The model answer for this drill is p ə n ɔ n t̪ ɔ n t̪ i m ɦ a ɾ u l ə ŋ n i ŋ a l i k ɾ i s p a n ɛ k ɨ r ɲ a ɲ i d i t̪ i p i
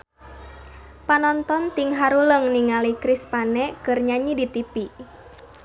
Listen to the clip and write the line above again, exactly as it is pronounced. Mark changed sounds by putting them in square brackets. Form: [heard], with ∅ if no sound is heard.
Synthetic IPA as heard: p [a] n ɔ n t̪ ɔ n t̪ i [ŋ] ɦ a ɾ u l ə ŋ n i ŋ a l i k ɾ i s p a n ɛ k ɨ r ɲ a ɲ i d i t̪ i p i